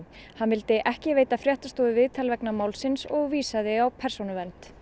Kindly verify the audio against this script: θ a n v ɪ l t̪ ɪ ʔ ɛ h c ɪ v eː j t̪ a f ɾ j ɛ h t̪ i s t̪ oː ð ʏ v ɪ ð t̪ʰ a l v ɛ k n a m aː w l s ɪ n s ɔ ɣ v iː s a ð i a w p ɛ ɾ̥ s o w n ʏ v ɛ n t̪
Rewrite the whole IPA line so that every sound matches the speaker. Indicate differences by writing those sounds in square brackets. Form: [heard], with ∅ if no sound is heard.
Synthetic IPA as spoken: [h] a n v ɪ l t̪ ɪ ʔ ɛ h c ɪ v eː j t̪ a f ɾ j ɛ h t̪ [a] s t̪ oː ð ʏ v ɪ ð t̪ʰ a l v ɛ k n a m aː w l s ɪ n s ɔ ɣ v iː s a ð [ɪ] a w [pʰ] ɛ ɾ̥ s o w n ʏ v ɛ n t̪